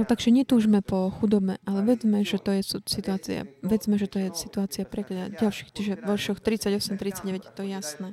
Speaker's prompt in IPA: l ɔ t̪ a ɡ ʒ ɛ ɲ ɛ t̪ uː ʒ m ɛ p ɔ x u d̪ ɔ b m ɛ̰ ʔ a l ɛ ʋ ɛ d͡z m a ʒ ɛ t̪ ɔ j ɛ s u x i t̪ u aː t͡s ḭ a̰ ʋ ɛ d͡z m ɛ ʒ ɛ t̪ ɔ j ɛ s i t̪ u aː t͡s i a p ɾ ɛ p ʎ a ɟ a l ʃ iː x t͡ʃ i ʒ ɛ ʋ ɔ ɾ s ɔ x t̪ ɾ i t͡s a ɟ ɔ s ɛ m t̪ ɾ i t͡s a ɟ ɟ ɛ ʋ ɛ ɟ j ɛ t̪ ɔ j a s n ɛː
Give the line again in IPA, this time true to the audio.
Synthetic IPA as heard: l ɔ t̪ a ɡ ʒ ɛ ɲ ɛ t̪ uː ʒ m ɛ p ɔ x u d̪ ɔ b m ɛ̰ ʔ a l ɛ ʋ ɛ d͡z m ɛ ʒ ɛ t̪ ɔ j ɛ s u s i t̪ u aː t͡s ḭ a̰ ʋ ɛ d͡z m ɛ ʒ ɛ t̪ ɔ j ɛ s i t̪ u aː t͡s i a p ɾ ɛ k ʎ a ɟ a l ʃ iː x t͡ʃ i ʒ ɛ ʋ ɔ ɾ ʃ ɔ x t̪ ɾ i t͡s a ɟ ɔ s ɛ m t̪ ɾ i t͡s a ɟ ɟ ɛ ʋ ɛ ɟ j ɛ t̪ ɔ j a s n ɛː